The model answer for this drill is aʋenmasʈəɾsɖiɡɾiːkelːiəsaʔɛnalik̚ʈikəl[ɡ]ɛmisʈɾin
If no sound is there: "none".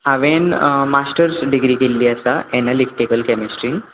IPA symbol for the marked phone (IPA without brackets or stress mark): k